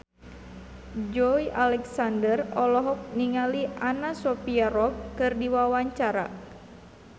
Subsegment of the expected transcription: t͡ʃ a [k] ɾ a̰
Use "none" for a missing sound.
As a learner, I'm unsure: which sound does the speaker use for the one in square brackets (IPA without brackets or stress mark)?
none